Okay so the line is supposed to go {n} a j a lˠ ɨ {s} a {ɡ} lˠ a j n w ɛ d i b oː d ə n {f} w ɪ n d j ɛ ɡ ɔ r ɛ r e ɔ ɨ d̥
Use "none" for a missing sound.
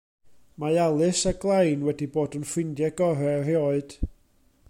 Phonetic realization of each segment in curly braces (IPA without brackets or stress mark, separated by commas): m, s, ɡ, f